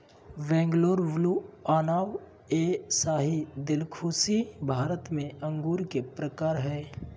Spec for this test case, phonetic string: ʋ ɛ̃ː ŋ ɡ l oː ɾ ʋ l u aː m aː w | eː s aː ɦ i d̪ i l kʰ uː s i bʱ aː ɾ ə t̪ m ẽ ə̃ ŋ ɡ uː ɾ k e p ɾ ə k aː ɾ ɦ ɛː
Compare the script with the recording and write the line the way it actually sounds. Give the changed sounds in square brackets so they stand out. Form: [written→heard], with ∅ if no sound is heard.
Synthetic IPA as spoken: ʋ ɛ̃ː ŋ ɡ l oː ɾ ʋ l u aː [m→n] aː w | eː s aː ɦ i d̪ [i→ɪ] l kʰ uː s i bʱ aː ɾ ə t̪ m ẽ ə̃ ŋ ɡ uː ɾ k e p ɾ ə k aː ɾ ɦ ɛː